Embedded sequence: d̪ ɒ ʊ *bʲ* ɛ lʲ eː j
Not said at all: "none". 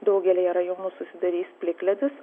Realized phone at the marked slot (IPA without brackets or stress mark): ɡʲ